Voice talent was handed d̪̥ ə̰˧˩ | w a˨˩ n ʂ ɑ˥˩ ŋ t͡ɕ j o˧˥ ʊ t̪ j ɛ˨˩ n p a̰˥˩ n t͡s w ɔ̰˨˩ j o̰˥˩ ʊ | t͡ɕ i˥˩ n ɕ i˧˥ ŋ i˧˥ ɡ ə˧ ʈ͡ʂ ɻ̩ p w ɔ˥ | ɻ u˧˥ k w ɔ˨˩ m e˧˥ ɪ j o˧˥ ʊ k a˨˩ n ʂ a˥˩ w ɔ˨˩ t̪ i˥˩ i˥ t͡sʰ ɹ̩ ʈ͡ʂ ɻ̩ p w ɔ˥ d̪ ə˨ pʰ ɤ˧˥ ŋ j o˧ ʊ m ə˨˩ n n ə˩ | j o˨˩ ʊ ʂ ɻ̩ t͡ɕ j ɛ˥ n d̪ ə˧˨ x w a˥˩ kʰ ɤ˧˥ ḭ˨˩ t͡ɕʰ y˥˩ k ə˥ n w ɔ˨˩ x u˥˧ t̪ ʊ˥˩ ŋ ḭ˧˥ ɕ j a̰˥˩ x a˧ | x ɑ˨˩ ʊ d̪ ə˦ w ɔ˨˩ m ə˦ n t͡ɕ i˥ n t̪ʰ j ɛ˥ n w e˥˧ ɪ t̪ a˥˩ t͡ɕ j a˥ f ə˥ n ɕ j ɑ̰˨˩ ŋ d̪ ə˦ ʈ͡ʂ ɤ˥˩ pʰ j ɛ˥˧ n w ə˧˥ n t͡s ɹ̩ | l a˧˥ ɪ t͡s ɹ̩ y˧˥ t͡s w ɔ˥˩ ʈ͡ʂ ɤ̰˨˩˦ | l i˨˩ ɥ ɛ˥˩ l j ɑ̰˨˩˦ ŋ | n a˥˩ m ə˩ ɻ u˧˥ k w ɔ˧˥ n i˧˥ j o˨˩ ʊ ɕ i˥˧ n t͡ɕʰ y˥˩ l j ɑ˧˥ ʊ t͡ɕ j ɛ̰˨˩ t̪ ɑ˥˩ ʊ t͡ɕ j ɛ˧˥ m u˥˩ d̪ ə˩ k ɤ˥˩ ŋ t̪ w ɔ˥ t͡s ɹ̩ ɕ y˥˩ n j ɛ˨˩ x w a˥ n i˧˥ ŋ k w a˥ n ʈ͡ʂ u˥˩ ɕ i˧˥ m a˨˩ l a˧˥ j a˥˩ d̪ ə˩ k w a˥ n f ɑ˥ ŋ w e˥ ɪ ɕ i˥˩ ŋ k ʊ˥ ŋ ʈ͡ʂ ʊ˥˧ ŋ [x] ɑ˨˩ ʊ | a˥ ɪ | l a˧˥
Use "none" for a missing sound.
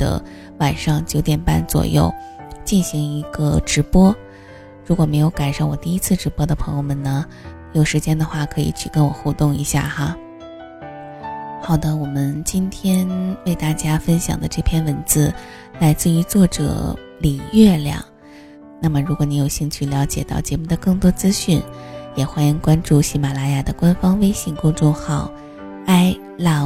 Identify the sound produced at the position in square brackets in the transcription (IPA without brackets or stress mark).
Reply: x